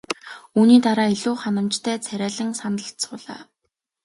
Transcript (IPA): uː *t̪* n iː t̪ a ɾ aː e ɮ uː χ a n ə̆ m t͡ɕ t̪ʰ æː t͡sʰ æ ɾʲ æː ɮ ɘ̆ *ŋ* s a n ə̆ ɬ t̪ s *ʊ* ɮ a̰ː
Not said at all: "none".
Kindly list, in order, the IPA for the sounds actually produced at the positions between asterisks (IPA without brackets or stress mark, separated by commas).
none, ŋ, ʊː